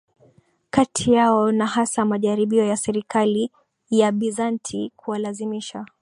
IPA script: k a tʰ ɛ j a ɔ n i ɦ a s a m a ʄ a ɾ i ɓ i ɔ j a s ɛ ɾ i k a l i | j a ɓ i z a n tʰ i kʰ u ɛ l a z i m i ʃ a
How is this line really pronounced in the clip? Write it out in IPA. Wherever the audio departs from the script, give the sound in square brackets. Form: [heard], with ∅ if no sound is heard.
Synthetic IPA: k a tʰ [i] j a ɔ n [a] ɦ a s a m a ʄ a ɾ i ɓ i ɔ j a s ɛ ɾ i k a l i | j a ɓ i z a n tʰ i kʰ u [a] l a z i m i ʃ a